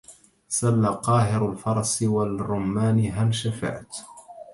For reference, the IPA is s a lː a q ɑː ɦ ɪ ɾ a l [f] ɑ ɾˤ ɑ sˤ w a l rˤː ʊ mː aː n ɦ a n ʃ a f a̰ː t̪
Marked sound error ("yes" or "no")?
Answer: no